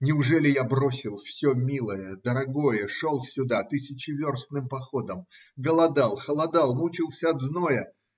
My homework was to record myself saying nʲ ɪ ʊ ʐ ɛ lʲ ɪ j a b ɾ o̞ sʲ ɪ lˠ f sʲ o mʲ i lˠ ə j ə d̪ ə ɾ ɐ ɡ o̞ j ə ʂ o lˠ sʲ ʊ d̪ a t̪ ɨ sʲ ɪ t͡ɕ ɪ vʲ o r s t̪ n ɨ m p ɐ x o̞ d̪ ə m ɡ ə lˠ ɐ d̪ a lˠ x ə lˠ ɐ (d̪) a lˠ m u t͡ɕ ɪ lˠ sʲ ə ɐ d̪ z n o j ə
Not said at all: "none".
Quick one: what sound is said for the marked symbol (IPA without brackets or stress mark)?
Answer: d̪